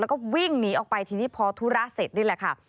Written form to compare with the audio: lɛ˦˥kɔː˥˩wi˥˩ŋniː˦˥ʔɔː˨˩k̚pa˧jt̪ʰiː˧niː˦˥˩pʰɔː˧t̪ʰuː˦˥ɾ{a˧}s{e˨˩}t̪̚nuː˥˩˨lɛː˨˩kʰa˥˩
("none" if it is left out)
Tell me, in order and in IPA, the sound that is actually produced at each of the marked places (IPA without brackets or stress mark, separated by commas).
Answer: a˦˥, e˨˩